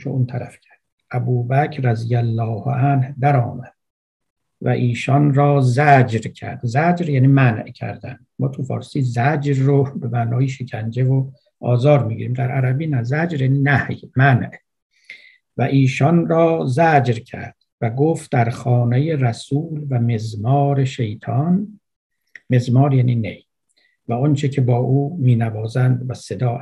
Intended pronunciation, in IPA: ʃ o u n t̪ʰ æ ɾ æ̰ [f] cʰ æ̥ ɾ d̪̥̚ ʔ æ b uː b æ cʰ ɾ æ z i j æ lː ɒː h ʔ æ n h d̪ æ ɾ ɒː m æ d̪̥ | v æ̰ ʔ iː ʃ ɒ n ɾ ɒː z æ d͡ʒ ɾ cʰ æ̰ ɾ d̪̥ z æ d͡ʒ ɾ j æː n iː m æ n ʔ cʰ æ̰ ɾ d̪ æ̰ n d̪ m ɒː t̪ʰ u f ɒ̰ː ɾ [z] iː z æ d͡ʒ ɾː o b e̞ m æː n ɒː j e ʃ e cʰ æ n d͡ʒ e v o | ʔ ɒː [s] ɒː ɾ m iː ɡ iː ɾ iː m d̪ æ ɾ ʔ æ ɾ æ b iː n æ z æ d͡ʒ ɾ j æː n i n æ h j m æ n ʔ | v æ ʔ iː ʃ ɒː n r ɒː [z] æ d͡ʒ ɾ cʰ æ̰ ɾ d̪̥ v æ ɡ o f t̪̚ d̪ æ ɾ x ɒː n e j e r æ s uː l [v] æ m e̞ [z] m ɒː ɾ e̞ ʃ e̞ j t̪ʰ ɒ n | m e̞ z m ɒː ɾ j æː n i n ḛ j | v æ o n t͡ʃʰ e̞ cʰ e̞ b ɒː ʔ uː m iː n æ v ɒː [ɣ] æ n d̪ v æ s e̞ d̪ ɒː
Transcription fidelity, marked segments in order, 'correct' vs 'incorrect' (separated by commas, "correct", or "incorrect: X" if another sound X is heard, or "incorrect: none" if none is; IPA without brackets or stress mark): correct, incorrect: s, incorrect: z, correct, correct, correct, incorrect: z